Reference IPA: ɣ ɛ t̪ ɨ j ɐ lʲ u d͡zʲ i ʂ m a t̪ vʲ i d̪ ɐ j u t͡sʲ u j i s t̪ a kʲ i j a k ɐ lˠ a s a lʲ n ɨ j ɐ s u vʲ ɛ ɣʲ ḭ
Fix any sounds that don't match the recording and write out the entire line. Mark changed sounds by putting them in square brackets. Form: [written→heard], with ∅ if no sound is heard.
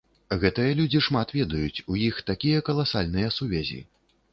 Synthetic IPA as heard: ɣ ɛ t̪ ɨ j ɐ lʲ u d͡zʲ i ʂ m a t̪ vʲ [i→ɛ] d̪ ɐ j u t͡sʲ u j i [s→x] t̪ a kʲ i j [a→ɐ] k ɐ lˠ a s a lʲ n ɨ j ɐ s u vʲ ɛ [ɣʲ→zʲ] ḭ